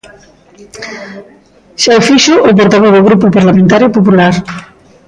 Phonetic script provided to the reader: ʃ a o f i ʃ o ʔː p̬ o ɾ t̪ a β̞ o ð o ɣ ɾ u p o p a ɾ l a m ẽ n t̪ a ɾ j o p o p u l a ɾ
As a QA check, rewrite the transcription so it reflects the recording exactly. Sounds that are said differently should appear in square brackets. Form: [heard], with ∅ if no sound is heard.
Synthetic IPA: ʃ a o f i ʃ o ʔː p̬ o ɾ t̪ a β̞ o ð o ɣ ɾ u p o p a ɾ l a m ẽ n t̪ a ɾ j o p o p u l a ɾ